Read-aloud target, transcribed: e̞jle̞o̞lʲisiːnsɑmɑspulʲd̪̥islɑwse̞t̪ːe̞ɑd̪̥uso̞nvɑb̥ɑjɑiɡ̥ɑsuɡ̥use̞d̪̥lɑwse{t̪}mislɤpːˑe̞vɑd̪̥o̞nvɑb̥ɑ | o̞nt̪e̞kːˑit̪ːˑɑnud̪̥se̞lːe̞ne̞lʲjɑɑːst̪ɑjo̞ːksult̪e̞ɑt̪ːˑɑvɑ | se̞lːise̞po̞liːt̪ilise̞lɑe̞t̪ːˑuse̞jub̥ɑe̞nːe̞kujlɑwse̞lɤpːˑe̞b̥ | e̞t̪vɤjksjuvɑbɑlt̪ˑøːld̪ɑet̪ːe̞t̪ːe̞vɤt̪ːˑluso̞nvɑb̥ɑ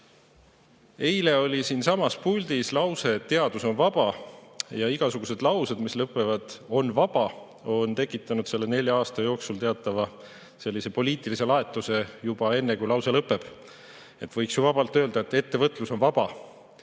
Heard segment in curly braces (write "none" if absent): d̪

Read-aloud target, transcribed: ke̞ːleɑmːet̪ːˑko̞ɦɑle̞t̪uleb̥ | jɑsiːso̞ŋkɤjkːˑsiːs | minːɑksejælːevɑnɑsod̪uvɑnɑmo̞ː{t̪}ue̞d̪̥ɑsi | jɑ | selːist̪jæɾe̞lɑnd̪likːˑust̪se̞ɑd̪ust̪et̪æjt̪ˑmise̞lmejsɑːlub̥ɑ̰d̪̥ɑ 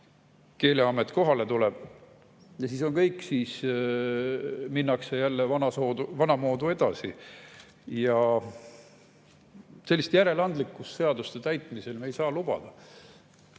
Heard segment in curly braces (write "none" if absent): d̪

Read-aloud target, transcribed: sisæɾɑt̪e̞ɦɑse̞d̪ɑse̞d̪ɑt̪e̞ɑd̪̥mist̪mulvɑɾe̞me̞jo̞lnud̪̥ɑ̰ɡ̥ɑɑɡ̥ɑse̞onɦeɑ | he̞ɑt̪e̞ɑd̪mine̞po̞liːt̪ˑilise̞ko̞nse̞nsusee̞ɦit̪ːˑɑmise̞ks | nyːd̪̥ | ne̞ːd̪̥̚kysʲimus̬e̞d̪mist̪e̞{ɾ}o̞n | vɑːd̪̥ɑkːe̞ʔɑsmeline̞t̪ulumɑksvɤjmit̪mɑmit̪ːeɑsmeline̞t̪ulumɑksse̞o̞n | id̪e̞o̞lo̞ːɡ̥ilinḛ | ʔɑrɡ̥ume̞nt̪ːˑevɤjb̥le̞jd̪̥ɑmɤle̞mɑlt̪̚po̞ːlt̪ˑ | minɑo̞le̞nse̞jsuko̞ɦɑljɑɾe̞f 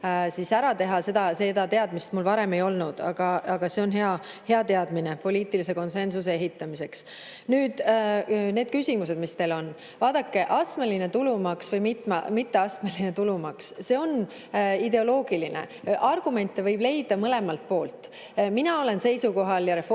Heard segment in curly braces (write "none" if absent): l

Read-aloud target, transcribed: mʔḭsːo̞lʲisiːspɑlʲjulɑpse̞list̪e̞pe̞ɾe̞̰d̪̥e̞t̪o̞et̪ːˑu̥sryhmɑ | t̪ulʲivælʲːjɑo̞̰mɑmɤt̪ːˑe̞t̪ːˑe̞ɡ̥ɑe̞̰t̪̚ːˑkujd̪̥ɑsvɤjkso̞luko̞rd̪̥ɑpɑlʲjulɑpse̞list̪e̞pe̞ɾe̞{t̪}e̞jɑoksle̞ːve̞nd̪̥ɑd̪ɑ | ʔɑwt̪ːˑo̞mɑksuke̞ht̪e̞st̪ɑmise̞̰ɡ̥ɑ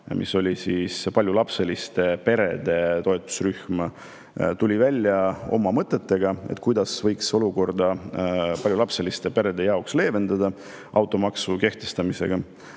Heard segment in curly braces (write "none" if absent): d̪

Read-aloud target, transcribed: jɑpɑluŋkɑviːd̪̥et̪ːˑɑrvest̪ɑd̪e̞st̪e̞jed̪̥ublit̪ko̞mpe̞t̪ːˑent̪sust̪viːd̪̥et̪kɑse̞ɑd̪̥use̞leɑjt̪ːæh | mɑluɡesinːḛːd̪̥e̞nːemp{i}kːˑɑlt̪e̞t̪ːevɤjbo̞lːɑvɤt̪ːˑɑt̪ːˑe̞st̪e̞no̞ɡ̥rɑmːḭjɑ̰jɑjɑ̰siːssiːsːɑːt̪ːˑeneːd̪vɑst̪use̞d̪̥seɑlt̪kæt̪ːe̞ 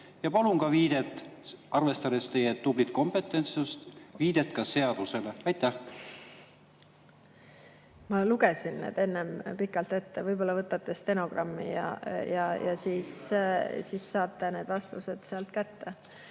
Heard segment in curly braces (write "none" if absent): i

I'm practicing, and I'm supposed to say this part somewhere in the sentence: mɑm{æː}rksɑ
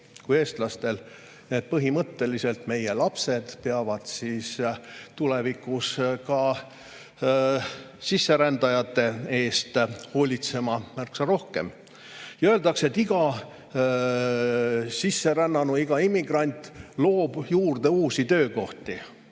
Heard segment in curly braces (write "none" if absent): æ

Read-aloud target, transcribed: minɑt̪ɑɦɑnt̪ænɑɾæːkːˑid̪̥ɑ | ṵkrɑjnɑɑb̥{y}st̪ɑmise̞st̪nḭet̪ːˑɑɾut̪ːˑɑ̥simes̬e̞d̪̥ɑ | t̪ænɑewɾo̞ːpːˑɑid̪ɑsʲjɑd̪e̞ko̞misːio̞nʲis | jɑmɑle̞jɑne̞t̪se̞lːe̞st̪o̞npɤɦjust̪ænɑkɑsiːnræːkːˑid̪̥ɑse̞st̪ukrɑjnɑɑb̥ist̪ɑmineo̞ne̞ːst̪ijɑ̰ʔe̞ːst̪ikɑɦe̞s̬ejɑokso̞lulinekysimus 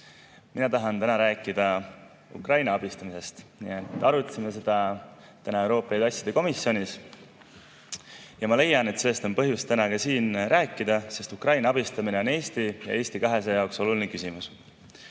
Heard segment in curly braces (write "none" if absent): i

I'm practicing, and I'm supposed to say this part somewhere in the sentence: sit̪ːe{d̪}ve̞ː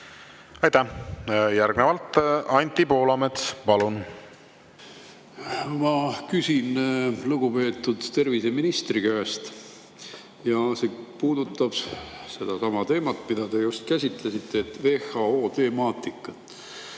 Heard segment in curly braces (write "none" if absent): t̪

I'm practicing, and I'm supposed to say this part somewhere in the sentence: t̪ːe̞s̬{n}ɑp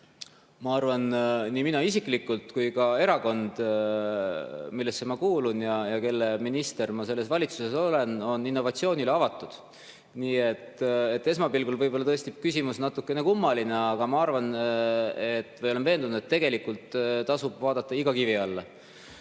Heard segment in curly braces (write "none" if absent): m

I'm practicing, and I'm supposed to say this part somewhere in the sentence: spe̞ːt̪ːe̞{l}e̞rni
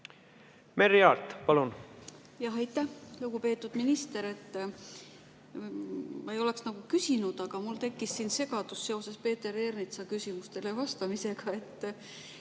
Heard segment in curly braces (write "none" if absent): ɾ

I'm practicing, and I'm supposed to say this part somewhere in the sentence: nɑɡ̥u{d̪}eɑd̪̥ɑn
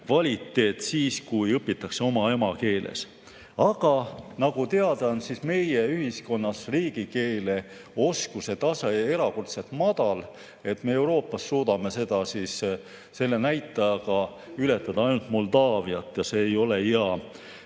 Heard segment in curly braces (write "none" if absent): t̪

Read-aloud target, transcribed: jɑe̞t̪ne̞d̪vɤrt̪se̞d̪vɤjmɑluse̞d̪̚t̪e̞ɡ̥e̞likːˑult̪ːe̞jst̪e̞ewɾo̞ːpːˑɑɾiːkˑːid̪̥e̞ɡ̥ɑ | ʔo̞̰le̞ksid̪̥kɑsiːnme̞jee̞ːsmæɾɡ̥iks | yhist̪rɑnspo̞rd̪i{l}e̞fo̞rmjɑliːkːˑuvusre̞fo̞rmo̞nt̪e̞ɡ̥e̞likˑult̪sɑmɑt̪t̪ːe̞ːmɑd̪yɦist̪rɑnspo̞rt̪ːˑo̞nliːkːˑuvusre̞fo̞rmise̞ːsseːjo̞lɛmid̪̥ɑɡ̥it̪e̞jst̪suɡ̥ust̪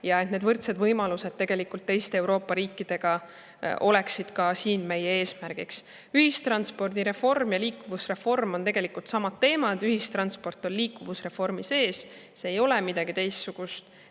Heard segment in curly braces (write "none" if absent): ɾ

